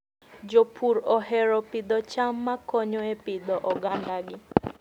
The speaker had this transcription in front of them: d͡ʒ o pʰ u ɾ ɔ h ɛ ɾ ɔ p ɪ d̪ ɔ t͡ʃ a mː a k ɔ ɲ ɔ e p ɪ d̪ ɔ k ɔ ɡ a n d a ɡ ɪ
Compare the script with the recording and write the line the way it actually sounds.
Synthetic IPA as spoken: d͡ʒ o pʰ u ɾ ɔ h ɛ ɾ ɔ p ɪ d̪ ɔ t͡ʃ a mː a k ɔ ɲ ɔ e p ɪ d̪ ɔ ʔ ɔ ɡ a n d a ɡ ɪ